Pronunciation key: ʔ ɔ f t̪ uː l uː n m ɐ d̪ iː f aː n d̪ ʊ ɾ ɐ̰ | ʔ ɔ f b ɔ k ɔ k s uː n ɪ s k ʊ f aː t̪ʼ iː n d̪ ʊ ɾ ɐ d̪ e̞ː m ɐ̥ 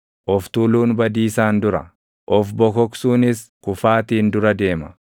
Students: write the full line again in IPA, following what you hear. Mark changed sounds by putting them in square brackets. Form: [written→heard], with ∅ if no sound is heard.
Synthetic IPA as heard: ʔ ɔ f t̪ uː l uː n [m→b] ɐ d̪ iː [f→s] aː n d̪ ʊ ɾ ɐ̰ | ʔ ɔ f b ɔ k ɔ k s uː n ɪ s k ʊ f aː [t̪ʼ→t̪] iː n d̪ ʊ ɾ ɐ d̪ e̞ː m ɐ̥